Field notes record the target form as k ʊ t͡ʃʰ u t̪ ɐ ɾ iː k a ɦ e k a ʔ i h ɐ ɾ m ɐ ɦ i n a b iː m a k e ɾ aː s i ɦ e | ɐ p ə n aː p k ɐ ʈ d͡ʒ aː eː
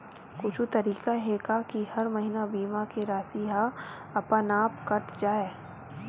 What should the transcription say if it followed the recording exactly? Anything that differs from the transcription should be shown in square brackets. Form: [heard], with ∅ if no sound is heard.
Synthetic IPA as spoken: k ʊ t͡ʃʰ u t̪ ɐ ɾ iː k a ɦ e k a [k] i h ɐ ɾ m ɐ ɦ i n a b iː m a k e ɾ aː s i ɦ [a] | ɐ p ə n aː p k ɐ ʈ d͡ʒ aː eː